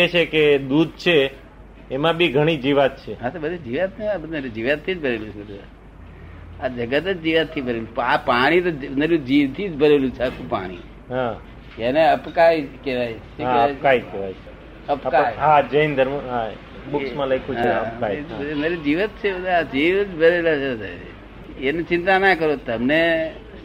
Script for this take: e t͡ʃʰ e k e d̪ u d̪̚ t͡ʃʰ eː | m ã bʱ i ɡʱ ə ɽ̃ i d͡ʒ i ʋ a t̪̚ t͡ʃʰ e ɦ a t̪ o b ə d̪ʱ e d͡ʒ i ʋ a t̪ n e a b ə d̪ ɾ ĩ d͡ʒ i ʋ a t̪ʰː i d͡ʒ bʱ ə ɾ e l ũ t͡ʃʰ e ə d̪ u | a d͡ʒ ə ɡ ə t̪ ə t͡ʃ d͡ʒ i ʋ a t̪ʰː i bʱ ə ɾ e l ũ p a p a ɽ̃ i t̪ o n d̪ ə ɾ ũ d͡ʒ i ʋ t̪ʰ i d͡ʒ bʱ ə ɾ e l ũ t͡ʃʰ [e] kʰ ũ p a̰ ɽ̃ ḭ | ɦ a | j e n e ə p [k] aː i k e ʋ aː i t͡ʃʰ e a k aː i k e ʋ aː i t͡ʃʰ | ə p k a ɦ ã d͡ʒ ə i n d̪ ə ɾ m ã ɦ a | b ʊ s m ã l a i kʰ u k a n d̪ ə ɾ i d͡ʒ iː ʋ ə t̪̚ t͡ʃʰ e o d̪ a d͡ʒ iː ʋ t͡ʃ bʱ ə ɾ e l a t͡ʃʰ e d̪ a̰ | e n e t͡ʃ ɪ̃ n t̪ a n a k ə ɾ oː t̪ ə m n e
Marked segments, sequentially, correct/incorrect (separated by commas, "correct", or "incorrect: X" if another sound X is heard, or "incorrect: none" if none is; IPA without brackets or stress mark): incorrect: a, correct